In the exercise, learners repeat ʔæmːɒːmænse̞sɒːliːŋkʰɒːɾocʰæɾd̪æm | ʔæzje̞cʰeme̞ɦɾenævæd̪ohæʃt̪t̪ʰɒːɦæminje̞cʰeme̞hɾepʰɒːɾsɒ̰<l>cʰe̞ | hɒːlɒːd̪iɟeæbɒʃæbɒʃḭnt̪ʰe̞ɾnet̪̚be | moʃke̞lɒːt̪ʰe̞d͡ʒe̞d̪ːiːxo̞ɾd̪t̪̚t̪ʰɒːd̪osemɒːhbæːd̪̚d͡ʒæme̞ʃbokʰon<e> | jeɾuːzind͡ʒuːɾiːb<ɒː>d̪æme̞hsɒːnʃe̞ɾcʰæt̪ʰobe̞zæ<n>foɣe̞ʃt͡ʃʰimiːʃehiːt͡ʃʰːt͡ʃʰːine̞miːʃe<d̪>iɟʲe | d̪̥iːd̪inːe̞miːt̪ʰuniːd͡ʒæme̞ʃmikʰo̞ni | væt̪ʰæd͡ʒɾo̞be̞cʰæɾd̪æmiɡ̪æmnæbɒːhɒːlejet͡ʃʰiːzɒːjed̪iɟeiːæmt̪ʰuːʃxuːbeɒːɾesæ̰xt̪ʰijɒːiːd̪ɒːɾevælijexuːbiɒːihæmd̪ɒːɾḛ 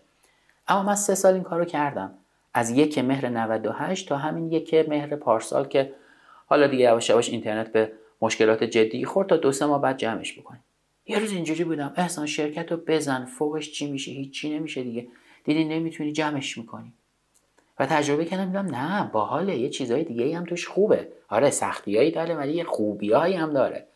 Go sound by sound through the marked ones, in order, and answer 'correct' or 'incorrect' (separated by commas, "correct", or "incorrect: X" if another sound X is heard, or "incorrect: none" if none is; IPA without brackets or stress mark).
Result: correct, incorrect: i, incorrect: uː, correct, correct